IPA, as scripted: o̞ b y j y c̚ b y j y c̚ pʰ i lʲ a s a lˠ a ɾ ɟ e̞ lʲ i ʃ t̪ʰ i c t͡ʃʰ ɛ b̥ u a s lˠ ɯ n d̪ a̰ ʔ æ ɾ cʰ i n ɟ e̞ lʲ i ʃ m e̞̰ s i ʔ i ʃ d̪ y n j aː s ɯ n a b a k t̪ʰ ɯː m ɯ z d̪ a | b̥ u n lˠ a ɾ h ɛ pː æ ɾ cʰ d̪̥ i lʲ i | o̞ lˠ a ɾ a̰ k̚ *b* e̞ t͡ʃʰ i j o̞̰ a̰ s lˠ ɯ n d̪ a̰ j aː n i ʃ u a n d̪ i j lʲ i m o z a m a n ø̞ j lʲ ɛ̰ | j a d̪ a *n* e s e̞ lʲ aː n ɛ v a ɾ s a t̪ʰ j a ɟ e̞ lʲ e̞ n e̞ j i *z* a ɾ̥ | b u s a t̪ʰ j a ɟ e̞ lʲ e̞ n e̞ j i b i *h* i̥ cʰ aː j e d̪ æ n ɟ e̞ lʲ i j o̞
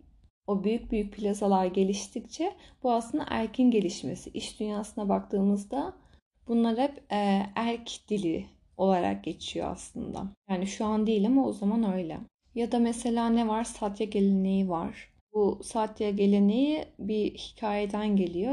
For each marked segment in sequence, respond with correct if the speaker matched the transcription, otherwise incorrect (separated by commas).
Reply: incorrect, incorrect, incorrect, correct